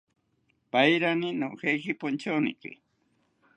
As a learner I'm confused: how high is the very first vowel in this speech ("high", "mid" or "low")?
low